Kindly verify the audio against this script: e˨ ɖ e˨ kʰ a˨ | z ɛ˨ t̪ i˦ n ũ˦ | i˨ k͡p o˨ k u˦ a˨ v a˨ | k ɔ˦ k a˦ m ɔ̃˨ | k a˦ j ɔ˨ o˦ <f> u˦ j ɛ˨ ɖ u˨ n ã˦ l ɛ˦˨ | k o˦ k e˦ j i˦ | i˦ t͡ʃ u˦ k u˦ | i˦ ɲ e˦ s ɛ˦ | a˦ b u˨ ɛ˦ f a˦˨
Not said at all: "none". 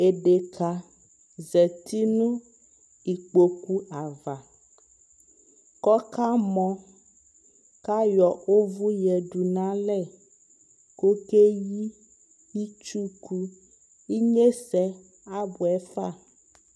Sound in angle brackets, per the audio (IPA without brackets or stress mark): v